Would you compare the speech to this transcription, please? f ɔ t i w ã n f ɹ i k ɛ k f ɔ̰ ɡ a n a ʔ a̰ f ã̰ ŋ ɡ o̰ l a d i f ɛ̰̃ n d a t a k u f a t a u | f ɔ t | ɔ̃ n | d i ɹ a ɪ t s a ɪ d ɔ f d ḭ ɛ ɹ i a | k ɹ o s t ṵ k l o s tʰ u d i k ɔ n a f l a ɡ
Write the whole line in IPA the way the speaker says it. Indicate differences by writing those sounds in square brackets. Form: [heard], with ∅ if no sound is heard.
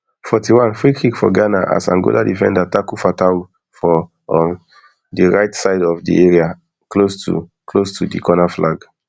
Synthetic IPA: f ɔ t i w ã n f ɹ i k [i] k f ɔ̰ ɡ a n a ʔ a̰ [s] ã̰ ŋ ɡ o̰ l a d i f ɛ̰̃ n d a t a k u f a t a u | f ɔ [∅] | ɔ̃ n | d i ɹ a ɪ t s a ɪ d ɔ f d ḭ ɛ ɹ i a | k [l] o s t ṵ k l o s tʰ u d i k ɔ n a f l a ɡ